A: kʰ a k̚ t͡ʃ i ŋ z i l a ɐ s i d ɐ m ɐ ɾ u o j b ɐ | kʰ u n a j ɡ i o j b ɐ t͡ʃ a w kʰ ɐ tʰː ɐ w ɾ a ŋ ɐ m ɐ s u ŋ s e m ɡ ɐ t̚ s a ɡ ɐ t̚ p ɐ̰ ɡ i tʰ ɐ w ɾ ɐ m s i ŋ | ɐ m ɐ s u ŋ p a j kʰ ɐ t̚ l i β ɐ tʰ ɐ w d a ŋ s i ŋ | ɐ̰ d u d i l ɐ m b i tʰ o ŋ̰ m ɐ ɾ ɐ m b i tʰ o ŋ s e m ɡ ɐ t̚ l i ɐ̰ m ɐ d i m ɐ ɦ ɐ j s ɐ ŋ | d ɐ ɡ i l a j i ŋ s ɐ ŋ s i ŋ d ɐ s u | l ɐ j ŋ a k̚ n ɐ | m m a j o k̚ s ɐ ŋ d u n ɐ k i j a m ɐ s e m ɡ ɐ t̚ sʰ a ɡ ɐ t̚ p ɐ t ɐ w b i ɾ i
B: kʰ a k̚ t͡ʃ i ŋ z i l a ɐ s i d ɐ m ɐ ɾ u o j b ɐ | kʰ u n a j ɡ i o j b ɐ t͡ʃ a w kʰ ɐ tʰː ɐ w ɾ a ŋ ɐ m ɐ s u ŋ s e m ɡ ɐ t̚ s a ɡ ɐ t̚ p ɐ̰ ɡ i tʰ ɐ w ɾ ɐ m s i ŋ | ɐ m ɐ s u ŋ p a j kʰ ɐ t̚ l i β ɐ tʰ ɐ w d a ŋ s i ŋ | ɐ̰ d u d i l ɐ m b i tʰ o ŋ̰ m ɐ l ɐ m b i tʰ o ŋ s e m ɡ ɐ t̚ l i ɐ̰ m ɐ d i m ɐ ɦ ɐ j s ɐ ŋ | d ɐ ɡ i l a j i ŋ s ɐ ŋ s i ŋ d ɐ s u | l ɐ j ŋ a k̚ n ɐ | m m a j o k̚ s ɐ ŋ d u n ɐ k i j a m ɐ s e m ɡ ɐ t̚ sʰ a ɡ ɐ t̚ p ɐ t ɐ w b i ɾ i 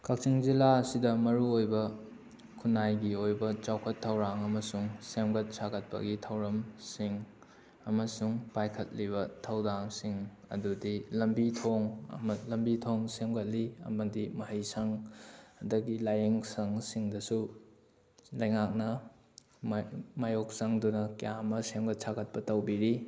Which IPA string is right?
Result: B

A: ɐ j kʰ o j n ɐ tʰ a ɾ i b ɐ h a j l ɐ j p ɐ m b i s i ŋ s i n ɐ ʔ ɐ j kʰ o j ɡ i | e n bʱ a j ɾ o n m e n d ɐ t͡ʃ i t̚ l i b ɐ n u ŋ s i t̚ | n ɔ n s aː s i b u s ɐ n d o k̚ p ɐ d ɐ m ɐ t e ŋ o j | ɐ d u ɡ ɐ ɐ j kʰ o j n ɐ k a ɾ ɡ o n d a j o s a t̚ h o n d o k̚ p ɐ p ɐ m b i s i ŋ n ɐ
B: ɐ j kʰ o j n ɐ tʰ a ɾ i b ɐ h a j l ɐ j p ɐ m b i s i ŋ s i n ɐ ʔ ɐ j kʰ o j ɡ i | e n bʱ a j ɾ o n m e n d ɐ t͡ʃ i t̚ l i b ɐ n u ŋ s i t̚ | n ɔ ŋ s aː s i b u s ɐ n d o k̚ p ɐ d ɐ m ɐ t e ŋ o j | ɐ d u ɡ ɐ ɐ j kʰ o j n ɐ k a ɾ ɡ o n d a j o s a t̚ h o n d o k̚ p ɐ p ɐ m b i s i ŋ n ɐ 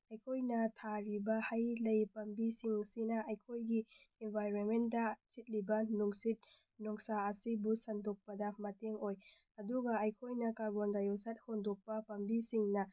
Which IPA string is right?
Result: B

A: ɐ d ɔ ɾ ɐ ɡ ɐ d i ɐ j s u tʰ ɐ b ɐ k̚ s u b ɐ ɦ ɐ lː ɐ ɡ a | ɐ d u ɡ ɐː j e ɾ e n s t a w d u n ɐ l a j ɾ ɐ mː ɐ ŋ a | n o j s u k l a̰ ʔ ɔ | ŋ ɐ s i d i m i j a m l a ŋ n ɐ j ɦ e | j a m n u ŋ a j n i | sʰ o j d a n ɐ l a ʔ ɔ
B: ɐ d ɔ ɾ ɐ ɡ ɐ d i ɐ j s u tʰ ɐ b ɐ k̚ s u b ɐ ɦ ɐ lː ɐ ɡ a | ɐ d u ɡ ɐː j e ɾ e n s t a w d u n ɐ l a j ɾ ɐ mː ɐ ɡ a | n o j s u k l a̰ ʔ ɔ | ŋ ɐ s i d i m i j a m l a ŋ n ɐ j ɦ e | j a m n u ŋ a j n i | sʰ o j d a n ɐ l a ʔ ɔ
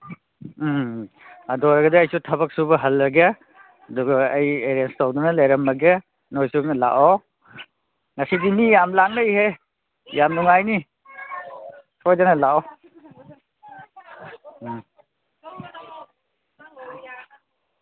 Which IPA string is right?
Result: B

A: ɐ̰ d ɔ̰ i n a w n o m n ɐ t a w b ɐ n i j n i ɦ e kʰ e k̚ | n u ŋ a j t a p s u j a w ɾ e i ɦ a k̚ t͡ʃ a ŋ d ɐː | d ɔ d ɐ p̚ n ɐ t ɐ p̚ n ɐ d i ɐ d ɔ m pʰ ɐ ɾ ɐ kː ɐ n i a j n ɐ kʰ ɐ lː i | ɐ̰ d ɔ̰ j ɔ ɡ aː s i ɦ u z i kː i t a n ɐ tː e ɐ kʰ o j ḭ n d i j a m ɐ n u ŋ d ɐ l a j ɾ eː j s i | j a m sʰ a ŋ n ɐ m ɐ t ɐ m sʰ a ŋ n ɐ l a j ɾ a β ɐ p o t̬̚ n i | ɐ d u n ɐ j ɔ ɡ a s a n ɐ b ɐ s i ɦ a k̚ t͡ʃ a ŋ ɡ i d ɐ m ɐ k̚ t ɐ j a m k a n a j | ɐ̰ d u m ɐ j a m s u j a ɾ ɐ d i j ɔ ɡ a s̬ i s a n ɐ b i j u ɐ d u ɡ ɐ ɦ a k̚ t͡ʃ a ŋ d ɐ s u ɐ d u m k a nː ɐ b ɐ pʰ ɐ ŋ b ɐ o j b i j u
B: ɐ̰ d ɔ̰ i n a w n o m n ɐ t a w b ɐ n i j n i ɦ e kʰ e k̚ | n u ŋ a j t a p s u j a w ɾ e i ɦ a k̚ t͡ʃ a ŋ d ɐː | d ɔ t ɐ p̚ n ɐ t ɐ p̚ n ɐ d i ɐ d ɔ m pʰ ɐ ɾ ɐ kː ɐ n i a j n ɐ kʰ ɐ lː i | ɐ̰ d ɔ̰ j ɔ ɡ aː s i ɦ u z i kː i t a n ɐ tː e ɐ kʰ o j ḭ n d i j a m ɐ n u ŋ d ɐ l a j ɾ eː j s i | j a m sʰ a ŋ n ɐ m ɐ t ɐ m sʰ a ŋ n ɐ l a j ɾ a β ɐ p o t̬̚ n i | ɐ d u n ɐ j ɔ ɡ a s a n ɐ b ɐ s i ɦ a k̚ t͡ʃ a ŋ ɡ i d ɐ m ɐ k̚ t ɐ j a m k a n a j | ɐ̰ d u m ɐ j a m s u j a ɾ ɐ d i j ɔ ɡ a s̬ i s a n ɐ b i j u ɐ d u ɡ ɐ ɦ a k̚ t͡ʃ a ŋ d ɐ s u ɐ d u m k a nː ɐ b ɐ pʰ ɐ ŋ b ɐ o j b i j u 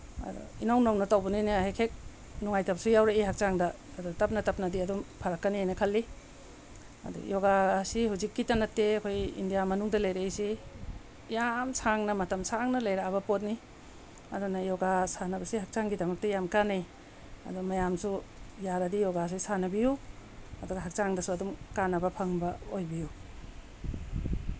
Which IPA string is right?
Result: B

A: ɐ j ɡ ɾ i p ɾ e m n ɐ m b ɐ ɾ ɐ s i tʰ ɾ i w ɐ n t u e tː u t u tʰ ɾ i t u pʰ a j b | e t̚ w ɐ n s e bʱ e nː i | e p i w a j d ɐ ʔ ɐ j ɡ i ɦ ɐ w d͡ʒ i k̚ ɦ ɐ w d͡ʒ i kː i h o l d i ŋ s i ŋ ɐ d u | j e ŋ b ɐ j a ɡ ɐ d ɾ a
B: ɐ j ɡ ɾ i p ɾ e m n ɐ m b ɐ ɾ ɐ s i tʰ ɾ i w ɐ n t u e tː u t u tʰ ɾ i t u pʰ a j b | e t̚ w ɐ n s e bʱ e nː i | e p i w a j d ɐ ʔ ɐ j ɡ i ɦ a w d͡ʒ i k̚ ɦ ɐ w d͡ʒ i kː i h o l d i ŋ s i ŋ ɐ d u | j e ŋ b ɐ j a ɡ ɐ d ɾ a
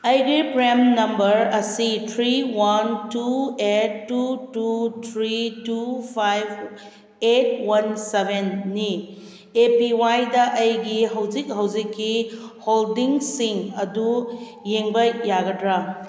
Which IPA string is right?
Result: A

